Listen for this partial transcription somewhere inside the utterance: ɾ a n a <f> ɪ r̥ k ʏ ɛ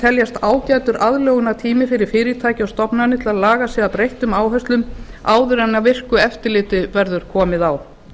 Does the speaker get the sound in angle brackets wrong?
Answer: yes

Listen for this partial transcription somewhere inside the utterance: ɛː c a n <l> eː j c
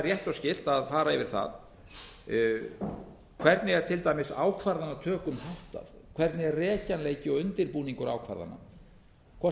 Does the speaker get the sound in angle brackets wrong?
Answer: no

